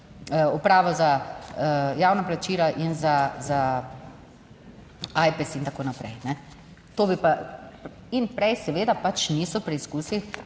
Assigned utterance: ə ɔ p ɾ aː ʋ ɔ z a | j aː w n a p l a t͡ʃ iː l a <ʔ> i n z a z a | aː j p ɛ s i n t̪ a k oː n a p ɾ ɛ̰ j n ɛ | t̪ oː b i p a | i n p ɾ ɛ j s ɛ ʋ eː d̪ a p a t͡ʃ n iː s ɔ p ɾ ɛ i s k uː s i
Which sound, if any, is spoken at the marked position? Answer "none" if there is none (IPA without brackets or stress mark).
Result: ʔ